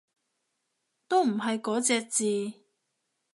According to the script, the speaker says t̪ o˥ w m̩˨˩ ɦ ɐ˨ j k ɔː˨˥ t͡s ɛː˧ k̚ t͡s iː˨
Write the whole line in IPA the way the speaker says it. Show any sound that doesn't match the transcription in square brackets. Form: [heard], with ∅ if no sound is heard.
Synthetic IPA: t̪ o˥ w m̩˨˩ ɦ ɐ˨ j k ɔː˨˥ t͡s ɛː˧ k̚ t͡s iː˨